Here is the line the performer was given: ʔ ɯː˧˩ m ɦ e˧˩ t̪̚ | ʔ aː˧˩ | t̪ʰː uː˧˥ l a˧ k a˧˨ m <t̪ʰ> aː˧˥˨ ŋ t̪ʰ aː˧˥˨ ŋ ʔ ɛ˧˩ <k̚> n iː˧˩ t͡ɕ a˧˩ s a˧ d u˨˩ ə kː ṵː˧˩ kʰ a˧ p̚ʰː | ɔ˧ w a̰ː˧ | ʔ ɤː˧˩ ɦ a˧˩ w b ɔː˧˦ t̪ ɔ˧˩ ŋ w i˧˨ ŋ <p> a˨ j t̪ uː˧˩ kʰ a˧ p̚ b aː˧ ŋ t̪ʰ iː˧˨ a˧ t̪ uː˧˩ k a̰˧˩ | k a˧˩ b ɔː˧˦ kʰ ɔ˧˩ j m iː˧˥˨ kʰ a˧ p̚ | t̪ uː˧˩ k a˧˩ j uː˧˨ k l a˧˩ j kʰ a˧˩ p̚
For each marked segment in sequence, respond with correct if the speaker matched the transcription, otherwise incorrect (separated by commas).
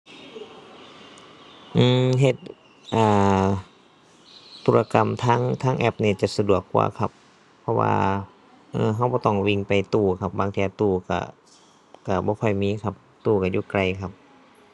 correct, incorrect, correct